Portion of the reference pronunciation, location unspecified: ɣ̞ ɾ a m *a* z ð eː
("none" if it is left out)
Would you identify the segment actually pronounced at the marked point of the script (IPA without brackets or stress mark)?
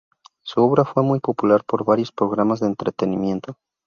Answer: a